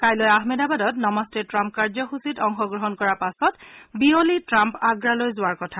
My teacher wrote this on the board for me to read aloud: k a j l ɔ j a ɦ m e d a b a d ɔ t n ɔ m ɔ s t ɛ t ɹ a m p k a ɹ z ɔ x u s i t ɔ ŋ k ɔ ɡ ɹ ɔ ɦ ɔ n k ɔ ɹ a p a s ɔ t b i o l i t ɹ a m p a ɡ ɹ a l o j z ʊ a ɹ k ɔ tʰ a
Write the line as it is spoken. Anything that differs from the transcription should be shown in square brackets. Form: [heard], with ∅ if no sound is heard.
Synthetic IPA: k a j l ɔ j a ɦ m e d a b a d ɔ t n ɔ m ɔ s t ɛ t ɹ a m p k a ɹ z ɔ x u s i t ɔ ŋ [x] ɔ ɡ ɹ ɔ ɦ ɔ n k ɔ ɹ a p a s ɔ t b i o l i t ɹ a m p a ɡ ɹ a l o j z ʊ a ɹ k ɔ tʰ a